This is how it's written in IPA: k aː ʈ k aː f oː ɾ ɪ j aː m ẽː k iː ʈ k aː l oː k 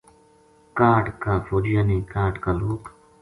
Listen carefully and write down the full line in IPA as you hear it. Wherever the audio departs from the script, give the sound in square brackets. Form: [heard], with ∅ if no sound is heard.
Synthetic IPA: k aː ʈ k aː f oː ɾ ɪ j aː [n] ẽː k [aː] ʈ k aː l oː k